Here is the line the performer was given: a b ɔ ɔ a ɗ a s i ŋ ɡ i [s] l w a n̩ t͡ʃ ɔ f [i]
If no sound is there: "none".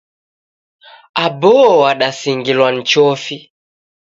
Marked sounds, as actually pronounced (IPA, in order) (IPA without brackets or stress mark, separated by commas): none, i